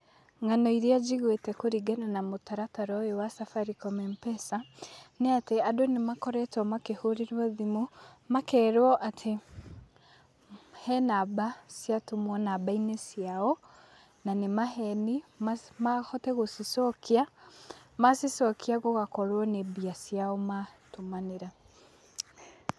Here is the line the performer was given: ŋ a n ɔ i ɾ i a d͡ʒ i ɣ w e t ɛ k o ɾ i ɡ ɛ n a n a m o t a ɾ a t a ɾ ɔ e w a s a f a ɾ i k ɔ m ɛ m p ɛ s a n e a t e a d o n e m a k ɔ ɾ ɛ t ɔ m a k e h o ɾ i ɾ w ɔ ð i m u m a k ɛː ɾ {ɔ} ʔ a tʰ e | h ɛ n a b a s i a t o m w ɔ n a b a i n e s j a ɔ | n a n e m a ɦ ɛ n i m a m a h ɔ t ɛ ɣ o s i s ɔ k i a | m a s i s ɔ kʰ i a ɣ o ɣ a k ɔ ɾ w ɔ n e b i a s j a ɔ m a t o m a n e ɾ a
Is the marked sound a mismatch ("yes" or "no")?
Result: no